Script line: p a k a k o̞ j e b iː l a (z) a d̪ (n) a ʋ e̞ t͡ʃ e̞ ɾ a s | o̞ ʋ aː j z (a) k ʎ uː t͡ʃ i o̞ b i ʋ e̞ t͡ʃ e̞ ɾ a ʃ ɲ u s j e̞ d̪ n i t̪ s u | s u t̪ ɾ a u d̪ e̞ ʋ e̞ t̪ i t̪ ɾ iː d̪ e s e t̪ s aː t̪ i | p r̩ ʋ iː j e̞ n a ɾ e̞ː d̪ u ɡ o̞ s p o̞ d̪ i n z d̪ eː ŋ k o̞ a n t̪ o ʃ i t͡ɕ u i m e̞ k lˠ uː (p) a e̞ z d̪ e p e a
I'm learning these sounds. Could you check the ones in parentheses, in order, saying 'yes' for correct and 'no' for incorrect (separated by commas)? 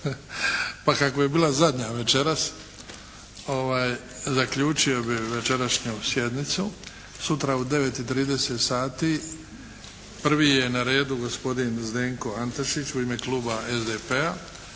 yes, no, yes, no